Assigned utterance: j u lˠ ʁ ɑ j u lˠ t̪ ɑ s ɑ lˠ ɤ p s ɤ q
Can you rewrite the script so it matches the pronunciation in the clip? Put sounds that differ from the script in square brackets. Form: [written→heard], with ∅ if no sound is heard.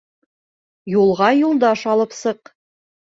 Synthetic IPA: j u lˠ ʁ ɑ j u lˠ [t̪→d̪] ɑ [s→ʃ] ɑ lˠ ɤ p s ɤ q